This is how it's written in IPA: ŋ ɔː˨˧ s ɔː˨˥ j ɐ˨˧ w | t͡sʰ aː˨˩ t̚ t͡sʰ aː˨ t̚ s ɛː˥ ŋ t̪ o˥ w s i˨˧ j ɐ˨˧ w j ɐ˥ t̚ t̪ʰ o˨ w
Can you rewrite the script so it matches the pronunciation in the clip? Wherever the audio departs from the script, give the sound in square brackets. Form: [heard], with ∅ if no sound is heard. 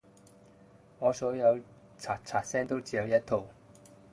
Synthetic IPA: ŋ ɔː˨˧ s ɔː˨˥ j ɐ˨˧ w | t͡sʰ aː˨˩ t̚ t͡sʰ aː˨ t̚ s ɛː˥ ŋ t̪ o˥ w [t͡s] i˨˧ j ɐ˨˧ w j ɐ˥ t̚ t̪ʰ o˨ w